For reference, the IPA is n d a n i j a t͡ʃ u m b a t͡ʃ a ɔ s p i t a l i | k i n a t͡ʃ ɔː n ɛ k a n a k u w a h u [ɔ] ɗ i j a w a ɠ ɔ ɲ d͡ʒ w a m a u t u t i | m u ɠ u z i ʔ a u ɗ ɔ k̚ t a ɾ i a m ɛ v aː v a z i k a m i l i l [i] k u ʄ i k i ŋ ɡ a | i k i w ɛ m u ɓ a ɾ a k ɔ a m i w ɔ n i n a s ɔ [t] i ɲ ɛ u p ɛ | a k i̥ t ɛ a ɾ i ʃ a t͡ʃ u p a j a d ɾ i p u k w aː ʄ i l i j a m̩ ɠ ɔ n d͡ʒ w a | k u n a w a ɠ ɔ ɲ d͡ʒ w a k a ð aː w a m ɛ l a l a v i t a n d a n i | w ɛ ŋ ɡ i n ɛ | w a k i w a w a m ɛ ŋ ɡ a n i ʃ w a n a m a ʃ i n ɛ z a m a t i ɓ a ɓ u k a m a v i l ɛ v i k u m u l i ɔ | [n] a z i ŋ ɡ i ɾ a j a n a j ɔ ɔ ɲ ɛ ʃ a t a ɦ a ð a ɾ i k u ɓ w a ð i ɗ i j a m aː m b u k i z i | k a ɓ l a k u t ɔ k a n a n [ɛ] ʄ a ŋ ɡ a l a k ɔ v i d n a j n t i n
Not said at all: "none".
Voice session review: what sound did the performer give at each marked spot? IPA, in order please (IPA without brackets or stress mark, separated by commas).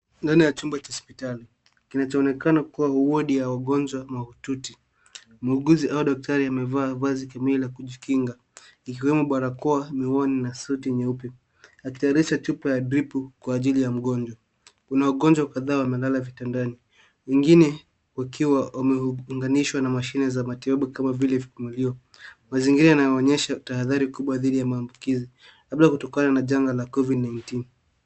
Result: ɔ, a, t, m, a